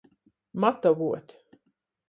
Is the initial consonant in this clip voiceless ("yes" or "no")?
no